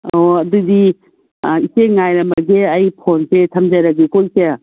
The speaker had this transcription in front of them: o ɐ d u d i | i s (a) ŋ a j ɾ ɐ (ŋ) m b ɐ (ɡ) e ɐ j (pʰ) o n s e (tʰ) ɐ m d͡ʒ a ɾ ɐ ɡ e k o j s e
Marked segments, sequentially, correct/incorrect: incorrect, incorrect, correct, correct, correct

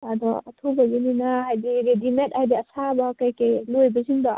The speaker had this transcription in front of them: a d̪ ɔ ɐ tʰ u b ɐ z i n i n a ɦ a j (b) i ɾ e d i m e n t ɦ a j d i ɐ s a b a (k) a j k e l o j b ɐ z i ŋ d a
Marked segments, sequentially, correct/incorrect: incorrect, correct

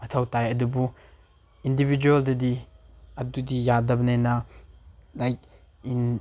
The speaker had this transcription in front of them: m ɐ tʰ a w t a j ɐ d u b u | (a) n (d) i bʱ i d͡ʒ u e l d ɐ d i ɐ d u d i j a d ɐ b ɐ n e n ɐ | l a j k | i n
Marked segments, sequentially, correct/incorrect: incorrect, correct

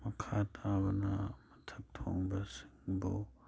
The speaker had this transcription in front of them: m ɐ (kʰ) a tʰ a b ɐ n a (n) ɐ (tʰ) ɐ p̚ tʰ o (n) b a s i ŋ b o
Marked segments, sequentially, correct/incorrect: correct, incorrect, correct, incorrect

